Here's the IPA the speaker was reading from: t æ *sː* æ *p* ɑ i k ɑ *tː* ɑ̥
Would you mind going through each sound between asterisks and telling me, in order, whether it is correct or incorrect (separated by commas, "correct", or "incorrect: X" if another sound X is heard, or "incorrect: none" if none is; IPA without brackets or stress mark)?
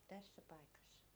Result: correct, correct, incorrect: sː